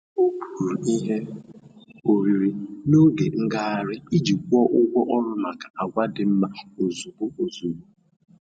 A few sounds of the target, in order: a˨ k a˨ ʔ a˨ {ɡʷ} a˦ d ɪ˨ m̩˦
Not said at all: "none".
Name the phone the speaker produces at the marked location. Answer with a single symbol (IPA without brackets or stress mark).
ɡʷ